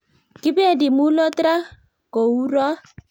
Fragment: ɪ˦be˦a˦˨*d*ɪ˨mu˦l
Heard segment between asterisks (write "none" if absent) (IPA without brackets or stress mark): d